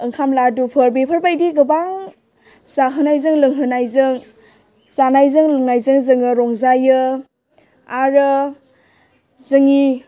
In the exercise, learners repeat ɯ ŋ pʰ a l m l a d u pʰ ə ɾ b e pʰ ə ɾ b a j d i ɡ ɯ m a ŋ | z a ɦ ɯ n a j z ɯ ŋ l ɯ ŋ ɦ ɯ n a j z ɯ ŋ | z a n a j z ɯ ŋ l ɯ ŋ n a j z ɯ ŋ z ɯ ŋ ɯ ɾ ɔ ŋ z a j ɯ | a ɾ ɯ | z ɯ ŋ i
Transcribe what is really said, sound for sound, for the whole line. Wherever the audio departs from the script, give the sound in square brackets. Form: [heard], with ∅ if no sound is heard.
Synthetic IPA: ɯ ŋ [kʰ] a [∅] m l a d u pʰ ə ɾ b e pʰ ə ɾ b a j d i ɡ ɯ [b] a ŋ | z a ɦ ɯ n a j z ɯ ŋ l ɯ ŋ ɦ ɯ n a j z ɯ ŋ | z a n a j z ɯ ŋ l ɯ ŋ n a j z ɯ ŋ z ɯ ŋ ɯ ɾ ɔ ŋ z a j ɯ | a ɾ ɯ | z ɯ ŋ i